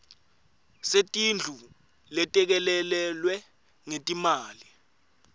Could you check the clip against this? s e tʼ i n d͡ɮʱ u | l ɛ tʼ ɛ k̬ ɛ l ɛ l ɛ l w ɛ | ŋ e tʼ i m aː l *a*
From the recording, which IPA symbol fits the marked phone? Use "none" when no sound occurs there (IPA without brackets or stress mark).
i